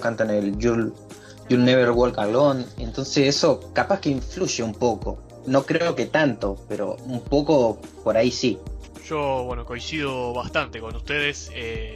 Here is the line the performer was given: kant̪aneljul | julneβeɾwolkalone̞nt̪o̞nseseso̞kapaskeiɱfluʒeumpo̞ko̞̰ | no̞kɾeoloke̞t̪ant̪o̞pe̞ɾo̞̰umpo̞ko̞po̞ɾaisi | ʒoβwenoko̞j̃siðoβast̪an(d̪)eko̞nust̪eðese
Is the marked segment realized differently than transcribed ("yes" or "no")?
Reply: yes